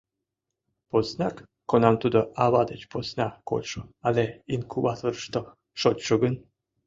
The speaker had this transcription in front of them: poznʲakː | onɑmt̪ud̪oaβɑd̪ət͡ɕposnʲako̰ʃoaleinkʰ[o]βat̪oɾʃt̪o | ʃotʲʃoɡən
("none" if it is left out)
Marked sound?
u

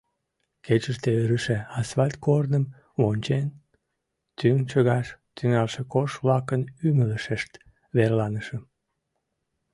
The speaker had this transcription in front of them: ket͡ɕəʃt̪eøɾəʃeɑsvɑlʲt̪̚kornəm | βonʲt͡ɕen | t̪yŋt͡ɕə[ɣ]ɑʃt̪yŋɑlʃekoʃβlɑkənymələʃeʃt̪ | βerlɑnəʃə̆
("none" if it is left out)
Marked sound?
ɣ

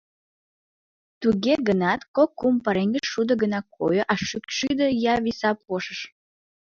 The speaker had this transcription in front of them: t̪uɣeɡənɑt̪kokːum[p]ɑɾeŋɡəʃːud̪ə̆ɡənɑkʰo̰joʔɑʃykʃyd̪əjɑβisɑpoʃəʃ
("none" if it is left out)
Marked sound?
p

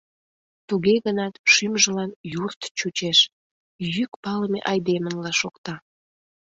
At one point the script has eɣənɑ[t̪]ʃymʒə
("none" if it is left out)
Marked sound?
t̪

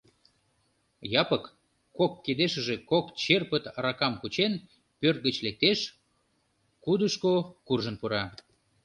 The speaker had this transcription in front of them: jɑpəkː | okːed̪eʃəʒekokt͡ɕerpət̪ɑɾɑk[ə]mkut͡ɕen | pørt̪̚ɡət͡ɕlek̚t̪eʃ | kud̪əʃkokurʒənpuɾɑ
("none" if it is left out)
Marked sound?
ɑ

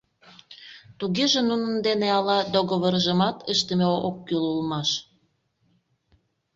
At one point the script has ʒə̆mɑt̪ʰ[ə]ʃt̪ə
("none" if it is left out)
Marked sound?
ə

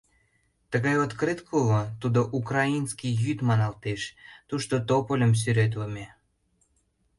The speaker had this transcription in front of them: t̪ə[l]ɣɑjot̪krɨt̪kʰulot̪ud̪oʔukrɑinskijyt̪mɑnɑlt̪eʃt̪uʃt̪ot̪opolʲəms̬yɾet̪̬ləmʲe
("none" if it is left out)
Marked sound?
none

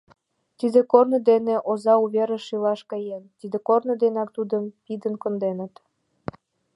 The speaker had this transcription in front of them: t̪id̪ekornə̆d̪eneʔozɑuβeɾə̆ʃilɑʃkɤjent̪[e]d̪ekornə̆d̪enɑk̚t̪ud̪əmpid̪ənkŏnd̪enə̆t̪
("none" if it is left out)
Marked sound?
i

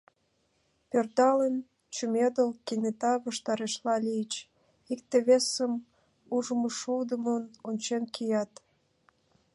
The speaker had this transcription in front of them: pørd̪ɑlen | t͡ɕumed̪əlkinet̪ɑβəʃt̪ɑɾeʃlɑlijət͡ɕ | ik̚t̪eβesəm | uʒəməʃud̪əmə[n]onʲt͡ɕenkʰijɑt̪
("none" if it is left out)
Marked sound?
n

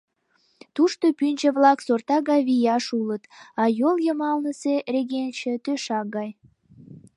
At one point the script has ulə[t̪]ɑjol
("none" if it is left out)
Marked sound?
t̪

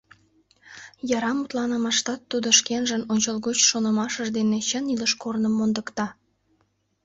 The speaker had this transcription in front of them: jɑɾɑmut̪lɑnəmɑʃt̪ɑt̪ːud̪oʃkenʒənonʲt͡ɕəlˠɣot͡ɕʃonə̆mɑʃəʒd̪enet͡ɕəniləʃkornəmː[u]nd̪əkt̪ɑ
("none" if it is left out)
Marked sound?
o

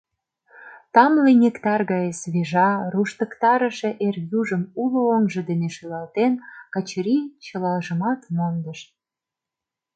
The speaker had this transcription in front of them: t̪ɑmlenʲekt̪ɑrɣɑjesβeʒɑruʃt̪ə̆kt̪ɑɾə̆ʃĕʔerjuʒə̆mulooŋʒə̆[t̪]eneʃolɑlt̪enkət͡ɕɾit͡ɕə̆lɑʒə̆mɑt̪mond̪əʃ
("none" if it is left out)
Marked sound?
d̪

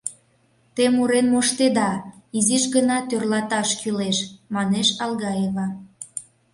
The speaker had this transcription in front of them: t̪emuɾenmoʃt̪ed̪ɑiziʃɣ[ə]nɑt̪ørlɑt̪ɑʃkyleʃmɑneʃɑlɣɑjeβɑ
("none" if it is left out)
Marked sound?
ə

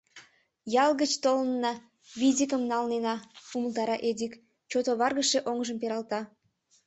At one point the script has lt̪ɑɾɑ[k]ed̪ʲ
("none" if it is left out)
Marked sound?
ʔ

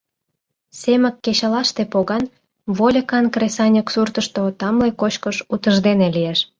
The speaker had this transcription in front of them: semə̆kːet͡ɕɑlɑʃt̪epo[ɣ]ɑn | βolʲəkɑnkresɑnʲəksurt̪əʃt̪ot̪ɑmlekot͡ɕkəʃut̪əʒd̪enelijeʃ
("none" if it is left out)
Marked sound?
ɣ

